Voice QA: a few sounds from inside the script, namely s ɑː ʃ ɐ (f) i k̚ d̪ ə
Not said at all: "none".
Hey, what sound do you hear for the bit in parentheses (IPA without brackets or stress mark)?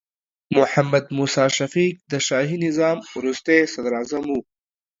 f